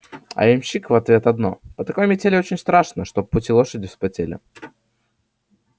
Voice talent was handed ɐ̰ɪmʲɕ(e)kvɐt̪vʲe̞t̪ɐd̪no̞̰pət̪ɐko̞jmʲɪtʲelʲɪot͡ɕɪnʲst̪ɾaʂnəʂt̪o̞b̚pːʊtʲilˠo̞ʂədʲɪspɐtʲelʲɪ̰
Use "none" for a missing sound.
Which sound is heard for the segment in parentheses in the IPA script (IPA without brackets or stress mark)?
i